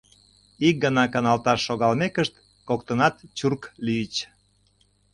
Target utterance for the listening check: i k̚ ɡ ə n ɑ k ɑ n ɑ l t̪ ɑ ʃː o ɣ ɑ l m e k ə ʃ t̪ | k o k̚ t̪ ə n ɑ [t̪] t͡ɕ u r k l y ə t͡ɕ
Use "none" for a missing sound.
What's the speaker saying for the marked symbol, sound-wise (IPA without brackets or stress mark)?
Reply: t̪